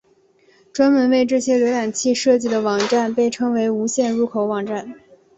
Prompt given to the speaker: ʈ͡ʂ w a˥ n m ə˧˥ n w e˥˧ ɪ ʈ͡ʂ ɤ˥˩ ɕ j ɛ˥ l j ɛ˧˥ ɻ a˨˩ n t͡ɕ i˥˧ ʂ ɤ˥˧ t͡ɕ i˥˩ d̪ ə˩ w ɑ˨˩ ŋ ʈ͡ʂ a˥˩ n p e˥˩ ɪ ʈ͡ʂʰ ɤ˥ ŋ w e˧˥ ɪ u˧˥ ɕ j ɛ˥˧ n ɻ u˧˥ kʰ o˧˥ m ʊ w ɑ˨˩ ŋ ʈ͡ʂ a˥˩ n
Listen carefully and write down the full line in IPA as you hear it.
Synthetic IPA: ʈ͡ʂ w a˥ n m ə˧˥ n w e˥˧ ɪ ʈ͡ʂ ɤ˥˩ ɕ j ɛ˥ l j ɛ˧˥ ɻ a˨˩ n t͡ɕʰ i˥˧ ʂ ɤ˥˧ t͡ɕ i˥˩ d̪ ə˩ w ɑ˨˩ ŋ ʈ͡ʂ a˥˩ n p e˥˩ ɪ ʈ͡ʂʰ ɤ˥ ŋ w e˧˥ ɪ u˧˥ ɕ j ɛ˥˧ n ɻ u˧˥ kʰ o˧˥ ʊ w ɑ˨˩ ŋ ʈ͡ʂ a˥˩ n